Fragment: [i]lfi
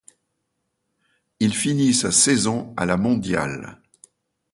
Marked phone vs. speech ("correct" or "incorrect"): correct